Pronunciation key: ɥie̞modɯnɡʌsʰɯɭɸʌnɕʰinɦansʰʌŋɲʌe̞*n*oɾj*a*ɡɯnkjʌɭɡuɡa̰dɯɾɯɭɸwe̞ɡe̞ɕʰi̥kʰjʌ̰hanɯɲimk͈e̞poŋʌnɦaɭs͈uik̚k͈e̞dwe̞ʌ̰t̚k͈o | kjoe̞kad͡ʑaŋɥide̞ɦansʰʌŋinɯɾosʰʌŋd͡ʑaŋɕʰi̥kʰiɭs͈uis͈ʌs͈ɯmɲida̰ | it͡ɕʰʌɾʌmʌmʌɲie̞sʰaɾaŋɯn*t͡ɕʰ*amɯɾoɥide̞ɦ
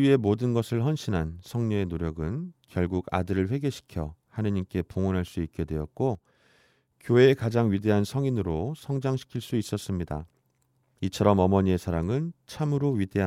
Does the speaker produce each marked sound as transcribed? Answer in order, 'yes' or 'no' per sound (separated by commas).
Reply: yes, no, yes